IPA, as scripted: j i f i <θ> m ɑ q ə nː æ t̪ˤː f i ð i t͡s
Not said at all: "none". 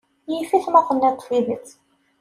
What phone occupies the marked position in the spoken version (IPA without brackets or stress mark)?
θ